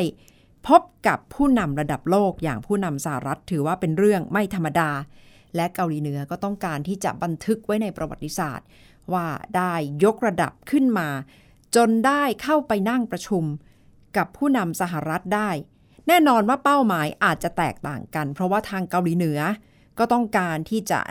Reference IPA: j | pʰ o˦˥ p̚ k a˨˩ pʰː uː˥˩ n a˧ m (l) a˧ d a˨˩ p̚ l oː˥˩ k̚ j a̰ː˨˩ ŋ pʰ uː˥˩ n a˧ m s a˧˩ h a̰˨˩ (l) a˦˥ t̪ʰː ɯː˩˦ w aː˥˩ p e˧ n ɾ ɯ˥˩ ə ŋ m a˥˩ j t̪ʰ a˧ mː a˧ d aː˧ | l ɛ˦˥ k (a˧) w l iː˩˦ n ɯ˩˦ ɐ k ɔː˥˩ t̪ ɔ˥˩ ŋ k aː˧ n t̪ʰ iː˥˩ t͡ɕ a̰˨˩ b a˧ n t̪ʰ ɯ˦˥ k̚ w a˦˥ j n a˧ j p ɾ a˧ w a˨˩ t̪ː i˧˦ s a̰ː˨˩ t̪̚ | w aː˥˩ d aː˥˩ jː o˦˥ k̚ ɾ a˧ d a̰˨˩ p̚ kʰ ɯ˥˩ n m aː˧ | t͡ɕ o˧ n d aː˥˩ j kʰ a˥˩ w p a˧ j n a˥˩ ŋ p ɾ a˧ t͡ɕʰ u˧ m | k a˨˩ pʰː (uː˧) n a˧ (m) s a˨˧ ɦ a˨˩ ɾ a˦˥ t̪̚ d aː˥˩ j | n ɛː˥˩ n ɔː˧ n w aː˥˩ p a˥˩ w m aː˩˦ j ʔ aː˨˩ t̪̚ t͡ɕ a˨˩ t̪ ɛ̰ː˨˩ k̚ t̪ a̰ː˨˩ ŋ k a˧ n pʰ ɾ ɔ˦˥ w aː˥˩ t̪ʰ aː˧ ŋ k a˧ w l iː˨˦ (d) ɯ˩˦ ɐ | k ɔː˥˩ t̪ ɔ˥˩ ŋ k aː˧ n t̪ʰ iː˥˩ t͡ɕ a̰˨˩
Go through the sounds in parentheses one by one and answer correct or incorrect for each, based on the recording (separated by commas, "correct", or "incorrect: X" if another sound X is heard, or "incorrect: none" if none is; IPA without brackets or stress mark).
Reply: incorrect: ɾ, incorrect: ɾ, correct, incorrect: uː˥˩, correct, incorrect: n